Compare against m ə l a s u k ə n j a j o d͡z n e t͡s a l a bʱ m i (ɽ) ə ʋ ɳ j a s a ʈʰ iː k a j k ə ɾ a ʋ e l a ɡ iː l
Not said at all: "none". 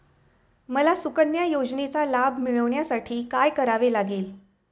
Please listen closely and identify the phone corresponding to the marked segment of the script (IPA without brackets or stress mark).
ɭ